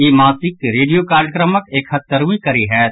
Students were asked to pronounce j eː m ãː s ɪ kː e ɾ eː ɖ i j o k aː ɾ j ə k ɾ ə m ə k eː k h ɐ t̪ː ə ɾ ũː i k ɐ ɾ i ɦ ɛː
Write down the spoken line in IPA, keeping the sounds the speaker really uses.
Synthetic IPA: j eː m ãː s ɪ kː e ɾ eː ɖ i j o k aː ɾ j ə k ɾ ə m ə k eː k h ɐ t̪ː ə ɾ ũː i k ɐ ɾ i ɦ ɛː